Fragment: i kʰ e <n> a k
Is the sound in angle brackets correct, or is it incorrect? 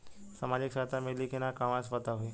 correct